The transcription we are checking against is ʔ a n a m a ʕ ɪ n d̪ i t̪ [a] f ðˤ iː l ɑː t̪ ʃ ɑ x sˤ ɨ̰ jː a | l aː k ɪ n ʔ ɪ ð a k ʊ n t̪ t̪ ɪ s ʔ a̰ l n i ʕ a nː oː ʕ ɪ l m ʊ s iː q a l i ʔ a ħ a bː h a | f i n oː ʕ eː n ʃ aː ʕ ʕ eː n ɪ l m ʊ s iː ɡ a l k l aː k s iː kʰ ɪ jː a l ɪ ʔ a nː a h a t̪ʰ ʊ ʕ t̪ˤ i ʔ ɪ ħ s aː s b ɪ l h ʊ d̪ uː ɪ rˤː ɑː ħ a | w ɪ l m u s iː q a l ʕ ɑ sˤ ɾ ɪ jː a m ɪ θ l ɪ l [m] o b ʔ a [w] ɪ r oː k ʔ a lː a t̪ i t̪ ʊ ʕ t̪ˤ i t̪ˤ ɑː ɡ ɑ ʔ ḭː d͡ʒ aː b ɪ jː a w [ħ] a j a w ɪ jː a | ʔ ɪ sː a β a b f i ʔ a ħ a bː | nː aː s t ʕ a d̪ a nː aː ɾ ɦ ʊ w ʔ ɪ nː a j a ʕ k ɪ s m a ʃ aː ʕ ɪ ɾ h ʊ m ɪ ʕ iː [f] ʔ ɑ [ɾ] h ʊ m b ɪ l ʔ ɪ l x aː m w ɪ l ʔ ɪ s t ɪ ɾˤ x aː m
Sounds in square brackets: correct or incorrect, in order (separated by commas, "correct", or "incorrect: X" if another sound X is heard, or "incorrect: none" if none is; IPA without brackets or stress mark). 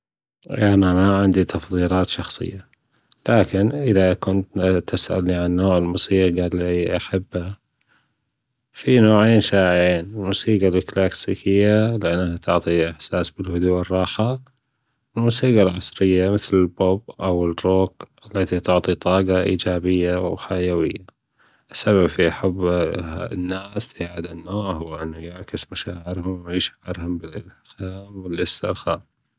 incorrect: ɑ, incorrect: b, correct, correct, incorrect: ʃ, correct